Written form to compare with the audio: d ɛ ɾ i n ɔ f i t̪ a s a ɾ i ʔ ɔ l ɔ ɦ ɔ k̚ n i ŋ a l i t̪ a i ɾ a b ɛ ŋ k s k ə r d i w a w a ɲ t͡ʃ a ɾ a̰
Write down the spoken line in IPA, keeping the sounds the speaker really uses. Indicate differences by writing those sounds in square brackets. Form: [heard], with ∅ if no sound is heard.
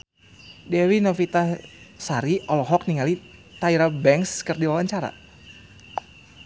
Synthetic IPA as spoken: d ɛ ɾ i n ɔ f i t̪ a s a ɾ i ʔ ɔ l ɔ ɦ ɔ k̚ n i ŋ a l i t̪ a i ɾ a b ɛ ŋ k s k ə r d i w a w a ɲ t͡ʃ a ɾ a̰